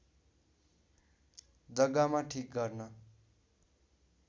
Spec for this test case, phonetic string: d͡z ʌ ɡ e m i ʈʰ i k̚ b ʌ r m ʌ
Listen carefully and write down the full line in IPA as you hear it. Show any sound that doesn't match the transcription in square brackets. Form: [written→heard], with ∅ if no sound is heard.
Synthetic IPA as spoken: d͡z ʌ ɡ [e→a] m [i→a] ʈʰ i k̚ [b→ɡ] ʌ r [m→n] ʌ